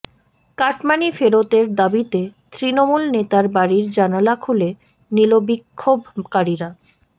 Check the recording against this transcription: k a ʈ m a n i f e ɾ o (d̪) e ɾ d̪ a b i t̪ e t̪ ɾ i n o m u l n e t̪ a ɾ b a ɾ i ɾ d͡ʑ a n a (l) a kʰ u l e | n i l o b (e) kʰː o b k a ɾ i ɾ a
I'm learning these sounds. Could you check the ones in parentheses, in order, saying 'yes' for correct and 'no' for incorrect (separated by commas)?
no, yes, no